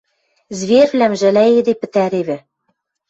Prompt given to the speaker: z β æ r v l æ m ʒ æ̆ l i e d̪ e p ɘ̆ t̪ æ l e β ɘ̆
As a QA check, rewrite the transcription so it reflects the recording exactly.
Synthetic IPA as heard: z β e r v l æ m ʒ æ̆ l æ e d̪ e p ɘ̆ t̪ æ ɾ e β ɘ̆